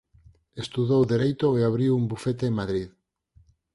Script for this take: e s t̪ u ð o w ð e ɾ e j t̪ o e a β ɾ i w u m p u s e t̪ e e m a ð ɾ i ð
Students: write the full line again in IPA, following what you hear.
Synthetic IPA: e s t̪ u ð o w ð e ɾ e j t̪ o e a β ɾ i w u m b u f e t̪ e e m a ð ɾ i ð